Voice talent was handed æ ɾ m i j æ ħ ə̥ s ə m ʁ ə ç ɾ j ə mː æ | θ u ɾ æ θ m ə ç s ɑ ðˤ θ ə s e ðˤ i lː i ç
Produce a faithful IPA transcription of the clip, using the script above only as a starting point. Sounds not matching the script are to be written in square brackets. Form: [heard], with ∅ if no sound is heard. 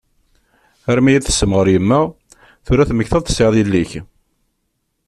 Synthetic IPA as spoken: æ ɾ m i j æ [θ] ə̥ s ə m ʁ ə [∅] ɾ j ə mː æ | θ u ɾ æ θ m ə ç [θ] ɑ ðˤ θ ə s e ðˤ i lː i ç

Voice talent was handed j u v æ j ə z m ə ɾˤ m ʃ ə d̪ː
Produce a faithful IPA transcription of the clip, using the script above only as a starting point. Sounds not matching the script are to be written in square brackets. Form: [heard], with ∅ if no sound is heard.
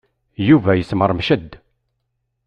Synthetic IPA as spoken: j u v æ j ə [s] m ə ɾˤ m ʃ ə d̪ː

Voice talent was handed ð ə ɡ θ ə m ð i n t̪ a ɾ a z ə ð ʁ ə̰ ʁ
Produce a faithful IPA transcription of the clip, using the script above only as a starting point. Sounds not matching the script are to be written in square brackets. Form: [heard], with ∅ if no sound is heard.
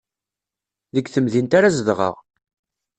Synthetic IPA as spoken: ð ə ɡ θ ə m ð i n t̪ a ɾ a z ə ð ʁ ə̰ ʁ

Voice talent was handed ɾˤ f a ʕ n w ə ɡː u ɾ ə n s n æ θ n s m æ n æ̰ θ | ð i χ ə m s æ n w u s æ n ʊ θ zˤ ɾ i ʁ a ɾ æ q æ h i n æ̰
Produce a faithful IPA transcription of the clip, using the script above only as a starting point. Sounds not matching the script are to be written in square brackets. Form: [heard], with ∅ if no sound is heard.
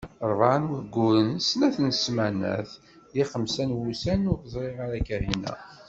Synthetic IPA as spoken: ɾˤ [v] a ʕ n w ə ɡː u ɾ ə n s n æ θ n s m æ n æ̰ θ | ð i χ ə m s æ n w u s æ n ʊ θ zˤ ɾ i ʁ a ɾ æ [k] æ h i n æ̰

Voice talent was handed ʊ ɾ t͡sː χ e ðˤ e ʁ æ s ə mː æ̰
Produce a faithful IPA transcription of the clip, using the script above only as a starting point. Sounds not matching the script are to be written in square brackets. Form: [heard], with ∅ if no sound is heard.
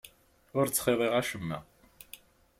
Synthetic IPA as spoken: ʊ ɾ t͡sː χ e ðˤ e ʁ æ [ʃ] ə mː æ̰

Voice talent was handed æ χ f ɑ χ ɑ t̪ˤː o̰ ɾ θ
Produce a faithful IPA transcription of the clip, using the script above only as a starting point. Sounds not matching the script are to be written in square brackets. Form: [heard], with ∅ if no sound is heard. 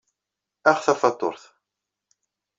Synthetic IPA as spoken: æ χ [θ] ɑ [f] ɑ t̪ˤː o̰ ɾ θ

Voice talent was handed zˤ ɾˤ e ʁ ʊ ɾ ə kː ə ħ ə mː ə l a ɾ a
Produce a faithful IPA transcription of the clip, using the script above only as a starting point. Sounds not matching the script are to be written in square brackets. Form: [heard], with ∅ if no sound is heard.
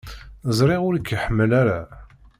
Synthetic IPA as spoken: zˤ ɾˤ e ʁ ʊ ɾ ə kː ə ħ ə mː ə l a ɾ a

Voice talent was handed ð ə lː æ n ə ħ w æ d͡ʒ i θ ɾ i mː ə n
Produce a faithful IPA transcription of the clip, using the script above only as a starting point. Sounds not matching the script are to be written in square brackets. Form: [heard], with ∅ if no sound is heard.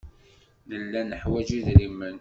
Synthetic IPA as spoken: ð ə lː æ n ə ħ w æ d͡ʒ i [ð] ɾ i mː ə n

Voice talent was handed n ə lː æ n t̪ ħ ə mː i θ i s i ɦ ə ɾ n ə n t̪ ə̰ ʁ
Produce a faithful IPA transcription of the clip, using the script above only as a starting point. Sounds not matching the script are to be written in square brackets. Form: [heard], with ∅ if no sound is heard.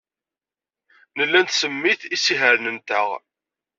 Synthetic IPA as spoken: n ə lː æ n t̪ [s] ə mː i θ i s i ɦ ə ɾ n ə n t̪ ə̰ ʁ

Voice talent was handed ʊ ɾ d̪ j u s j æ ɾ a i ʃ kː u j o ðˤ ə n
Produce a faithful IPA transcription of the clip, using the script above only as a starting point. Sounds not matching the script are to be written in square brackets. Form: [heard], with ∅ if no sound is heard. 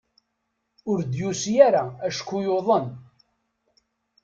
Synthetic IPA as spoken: ʊ ɾ d̪ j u s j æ ɾ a [æ] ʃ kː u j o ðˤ ə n

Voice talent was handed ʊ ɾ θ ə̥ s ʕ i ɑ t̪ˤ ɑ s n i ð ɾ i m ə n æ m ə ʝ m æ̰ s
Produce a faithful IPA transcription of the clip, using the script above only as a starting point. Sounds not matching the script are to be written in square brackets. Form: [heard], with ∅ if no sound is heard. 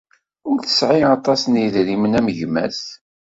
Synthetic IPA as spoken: ʊ ɾ θ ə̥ s ʕ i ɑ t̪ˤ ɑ s n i ð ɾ i m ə n æ m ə ʝ m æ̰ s

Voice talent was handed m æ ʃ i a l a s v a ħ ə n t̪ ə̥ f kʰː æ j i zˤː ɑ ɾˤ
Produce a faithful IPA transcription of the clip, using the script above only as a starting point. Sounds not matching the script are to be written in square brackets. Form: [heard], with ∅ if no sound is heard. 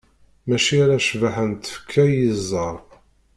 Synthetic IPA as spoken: m æ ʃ i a [ɾ] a [ʃ] v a ħ ə n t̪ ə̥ f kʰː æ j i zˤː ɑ ɾˤ

